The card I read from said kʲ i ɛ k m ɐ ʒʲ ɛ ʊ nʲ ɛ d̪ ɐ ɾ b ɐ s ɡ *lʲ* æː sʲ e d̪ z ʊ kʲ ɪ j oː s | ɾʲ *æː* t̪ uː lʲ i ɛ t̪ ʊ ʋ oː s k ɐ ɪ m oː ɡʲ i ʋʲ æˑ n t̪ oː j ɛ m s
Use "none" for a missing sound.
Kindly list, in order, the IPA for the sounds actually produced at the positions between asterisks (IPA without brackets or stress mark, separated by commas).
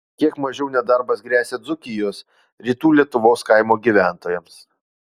ɾʲ, iː